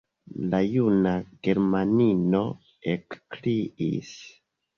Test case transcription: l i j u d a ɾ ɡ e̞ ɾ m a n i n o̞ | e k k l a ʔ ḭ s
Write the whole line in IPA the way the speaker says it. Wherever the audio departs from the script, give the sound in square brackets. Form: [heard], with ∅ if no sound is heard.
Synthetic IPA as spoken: l [a] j u [n] a [∅] ɡ e̞ ɾ m a n i n o̞ | e k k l [i] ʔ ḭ s